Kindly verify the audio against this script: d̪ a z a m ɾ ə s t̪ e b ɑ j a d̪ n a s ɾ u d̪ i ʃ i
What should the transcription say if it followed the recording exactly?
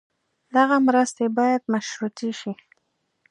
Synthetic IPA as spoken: d̪ a ɣ a m ɾ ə s t̪ e b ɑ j a d̪ m a ʃ ɾ u t̪ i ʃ i